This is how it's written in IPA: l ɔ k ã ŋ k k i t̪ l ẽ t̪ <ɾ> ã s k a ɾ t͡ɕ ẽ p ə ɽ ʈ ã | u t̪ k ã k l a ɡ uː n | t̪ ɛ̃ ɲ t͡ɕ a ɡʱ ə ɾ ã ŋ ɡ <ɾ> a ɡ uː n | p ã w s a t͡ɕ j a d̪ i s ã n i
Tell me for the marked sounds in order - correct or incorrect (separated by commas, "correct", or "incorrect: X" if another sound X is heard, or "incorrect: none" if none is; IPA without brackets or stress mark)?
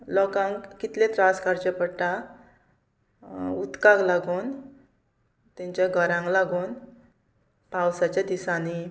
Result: correct, incorrect: l